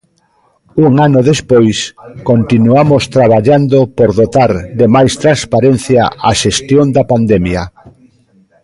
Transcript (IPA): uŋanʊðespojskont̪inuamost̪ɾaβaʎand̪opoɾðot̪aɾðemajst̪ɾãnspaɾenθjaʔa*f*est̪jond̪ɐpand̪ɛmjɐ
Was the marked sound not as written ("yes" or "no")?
yes